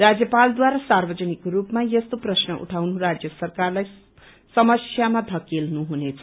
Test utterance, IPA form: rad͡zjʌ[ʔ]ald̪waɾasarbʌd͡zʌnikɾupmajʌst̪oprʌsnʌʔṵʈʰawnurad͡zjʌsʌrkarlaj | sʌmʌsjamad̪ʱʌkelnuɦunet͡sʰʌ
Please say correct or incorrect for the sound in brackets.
incorrect